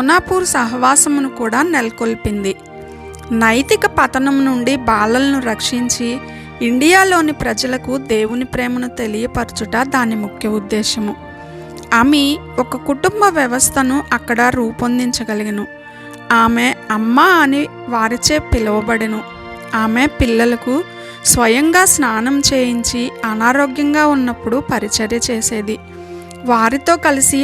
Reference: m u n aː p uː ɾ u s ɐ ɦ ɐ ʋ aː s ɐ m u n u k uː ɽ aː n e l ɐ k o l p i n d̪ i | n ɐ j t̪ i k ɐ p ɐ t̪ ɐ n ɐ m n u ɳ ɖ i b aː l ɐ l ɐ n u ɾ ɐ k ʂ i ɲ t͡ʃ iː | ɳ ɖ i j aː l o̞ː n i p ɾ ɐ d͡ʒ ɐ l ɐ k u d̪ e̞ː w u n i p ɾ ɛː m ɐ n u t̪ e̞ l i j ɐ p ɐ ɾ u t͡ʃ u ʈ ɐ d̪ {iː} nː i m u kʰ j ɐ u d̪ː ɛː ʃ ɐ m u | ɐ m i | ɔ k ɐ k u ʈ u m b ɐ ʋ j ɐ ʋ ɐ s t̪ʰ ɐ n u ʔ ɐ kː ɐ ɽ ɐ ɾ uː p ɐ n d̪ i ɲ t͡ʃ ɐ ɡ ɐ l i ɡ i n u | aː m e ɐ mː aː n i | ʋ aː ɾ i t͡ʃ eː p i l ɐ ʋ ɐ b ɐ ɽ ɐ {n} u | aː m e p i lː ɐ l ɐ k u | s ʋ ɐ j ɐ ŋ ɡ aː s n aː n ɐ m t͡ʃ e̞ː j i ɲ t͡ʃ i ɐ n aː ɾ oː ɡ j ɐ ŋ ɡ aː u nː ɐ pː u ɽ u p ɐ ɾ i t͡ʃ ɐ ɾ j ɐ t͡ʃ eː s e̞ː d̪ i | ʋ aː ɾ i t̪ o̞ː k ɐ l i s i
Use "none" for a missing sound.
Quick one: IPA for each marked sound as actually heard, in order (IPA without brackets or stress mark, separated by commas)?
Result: aː, n